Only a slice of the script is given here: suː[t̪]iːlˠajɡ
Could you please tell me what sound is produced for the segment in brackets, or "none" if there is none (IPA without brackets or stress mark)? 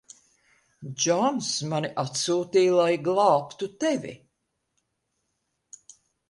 t̪